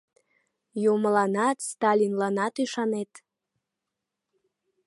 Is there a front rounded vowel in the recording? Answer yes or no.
yes